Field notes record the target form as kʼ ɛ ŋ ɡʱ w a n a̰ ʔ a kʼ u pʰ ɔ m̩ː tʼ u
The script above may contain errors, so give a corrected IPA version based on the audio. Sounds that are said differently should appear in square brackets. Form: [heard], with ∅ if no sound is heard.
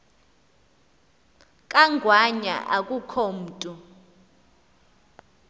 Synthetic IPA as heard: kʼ [a] ŋ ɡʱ w a [ɲ] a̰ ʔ a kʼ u [kʰ] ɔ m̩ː tʼ u